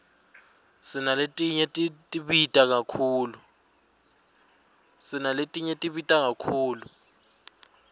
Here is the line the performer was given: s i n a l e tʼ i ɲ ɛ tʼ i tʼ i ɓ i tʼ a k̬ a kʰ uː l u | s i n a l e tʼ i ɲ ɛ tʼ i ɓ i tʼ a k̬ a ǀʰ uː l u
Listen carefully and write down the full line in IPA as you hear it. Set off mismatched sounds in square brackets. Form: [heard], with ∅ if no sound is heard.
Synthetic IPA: s i n a l e tʼ i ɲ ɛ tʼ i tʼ i ɓ i tʼ a k̬ a kʰ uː l u | s i n a l e tʼ i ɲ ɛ tʼ i ɓ i tʼ a k̬ a [kʰ] uː l u